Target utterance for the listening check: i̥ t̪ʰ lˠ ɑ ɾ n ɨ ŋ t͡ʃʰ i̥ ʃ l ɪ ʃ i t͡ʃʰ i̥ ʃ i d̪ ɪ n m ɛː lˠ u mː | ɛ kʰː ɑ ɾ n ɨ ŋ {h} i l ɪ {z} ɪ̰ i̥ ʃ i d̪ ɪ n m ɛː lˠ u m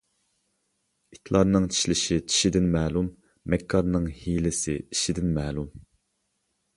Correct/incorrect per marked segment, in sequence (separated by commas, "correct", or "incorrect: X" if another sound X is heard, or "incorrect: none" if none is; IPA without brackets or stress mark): correct, incorrect: s